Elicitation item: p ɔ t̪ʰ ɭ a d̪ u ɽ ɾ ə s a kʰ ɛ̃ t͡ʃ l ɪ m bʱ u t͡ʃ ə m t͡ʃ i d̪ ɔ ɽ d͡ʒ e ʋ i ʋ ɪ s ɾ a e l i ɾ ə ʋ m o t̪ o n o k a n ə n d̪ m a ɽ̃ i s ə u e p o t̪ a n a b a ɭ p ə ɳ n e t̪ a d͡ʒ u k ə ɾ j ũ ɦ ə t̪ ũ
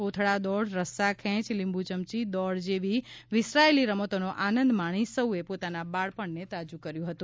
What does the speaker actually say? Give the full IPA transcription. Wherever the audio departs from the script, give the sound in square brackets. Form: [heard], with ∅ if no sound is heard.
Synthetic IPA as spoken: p [o] t̪ʰ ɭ a d̪ [ɔ] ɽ ɾ ə s a kʰ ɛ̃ t͡ʃ l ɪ m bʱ u t͡ʃ ə m t͡ʃ i d̪ ɔ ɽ d͡ʒ e ʋ i ʋ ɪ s ɾ a e l i ɾ ə [∅] m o t̪ o n o [ʔ] a n ə n d̪ m a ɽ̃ i s ə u e p o t̪ a n a b a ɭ p ə ɳ n e t̪ a d͡ʒ u k ə ɾ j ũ ɦ ə t̪ ũ